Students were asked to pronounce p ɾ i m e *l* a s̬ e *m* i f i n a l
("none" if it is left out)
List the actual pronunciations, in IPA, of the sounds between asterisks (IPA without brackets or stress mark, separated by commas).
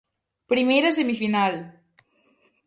ɾ, m